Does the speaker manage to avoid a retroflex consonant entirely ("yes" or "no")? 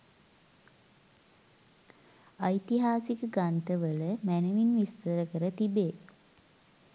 yes